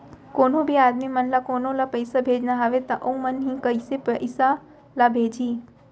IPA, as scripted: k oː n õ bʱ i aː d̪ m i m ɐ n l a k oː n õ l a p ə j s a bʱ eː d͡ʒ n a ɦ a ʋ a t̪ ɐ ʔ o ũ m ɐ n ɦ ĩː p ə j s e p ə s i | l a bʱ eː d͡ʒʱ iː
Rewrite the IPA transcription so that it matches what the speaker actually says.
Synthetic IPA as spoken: k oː n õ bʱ i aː d̪ m i m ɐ n l a k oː n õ l a p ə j s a bʱ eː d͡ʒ n a ɦ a ʋ e t̪ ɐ ʔ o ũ m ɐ n ɦ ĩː k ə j s e p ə s a | l a bʱ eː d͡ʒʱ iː